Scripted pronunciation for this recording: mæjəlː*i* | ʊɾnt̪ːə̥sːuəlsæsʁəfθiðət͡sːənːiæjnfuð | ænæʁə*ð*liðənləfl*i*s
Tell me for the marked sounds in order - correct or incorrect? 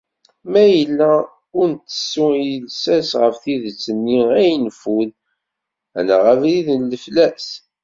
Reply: incorrect, incorrect, incorrect

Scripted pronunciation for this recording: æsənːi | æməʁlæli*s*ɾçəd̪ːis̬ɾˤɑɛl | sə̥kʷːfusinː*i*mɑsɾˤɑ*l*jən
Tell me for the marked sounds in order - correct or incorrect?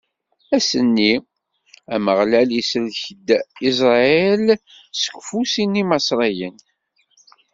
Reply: correct, correct, incorrect

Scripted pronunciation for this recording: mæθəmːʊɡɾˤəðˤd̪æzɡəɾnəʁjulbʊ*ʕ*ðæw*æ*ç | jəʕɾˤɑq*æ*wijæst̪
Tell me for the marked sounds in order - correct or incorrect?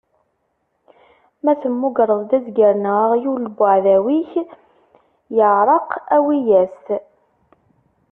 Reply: correct, incorrect, correct

